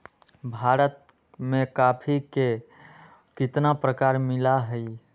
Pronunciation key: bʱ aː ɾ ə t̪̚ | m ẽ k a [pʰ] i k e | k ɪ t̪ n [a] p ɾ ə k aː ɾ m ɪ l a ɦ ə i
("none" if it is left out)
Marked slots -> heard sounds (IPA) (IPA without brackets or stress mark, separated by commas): pʰ, a